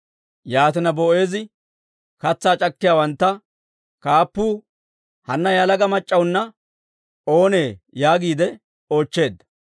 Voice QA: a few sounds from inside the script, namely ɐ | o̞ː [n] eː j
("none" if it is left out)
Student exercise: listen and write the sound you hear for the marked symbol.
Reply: n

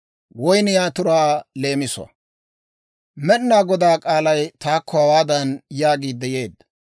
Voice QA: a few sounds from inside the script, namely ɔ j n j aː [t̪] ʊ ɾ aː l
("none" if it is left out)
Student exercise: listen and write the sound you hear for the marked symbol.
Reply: t̪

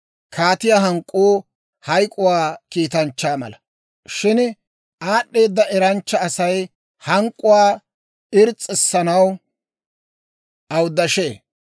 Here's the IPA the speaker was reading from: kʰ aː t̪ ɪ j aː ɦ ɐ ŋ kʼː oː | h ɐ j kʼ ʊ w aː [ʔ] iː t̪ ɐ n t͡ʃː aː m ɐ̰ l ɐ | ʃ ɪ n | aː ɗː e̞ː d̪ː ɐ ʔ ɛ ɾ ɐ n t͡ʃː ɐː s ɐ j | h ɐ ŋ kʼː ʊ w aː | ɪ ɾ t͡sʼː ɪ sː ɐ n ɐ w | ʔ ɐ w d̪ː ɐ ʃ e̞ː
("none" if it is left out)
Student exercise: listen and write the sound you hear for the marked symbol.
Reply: k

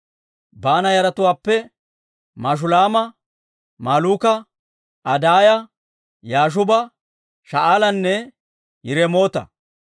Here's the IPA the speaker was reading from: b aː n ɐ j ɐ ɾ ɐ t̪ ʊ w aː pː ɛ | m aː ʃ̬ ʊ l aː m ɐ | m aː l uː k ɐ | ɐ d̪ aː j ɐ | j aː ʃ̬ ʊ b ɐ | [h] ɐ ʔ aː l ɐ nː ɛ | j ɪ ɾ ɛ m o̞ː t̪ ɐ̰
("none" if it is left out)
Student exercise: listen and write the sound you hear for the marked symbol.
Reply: ʃ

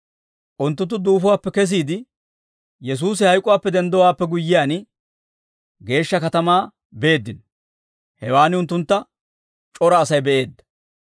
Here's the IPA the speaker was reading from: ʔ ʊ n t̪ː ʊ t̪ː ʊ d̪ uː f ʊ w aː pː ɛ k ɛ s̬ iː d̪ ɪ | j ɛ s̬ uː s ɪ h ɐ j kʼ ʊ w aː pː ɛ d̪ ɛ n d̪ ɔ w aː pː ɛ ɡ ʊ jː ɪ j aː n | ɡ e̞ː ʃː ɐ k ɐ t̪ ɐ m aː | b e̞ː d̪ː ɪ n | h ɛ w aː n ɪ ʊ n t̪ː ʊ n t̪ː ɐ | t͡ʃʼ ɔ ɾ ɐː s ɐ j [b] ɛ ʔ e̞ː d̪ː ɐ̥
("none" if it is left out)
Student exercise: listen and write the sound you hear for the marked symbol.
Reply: b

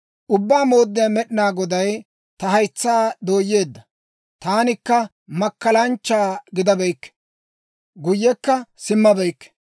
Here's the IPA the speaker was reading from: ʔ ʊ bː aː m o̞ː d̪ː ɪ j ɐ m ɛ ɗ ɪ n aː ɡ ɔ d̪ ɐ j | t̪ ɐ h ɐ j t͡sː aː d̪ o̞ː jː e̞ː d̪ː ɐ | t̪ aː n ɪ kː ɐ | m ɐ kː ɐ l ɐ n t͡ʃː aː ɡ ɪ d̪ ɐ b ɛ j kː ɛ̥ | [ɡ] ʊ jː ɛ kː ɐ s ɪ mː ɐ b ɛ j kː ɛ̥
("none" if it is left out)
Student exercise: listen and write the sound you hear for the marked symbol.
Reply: ɡ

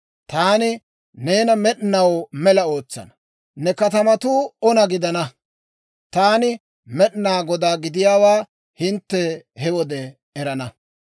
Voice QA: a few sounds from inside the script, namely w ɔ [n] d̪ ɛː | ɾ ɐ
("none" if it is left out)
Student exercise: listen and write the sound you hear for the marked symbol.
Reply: none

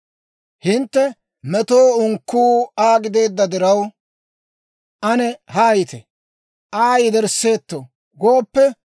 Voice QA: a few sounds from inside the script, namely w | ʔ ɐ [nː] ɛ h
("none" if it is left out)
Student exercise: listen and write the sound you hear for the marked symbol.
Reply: n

